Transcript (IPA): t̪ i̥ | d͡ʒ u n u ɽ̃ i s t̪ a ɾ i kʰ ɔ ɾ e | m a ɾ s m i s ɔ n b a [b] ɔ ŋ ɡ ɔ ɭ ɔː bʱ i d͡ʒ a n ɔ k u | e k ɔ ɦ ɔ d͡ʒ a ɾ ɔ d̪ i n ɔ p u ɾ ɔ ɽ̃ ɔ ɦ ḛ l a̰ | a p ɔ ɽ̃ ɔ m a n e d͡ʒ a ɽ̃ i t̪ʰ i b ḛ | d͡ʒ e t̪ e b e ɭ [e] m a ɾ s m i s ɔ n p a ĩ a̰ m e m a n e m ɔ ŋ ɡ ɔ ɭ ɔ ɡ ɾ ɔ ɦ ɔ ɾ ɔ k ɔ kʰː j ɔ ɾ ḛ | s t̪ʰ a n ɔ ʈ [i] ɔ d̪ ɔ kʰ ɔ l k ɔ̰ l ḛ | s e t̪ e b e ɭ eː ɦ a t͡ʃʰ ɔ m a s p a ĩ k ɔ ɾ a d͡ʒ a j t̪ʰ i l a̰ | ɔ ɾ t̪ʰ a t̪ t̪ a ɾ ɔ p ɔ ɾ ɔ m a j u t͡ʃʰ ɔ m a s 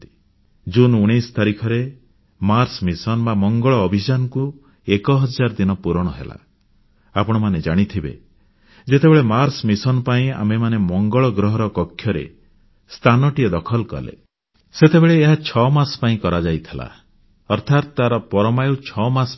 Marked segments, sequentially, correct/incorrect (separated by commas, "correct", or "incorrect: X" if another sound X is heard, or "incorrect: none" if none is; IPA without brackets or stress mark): incorrect: m, correct, correct